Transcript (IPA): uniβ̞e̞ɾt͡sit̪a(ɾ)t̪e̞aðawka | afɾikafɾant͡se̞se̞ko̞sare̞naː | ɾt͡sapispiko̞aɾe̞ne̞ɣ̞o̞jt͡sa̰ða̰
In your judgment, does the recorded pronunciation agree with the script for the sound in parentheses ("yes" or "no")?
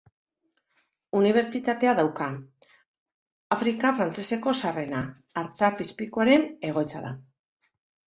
no